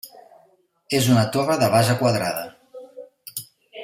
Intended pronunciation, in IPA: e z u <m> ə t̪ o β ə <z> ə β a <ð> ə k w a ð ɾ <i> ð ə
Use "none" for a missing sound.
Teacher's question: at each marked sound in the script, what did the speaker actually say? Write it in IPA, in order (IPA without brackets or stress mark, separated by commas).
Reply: n, ð, z, a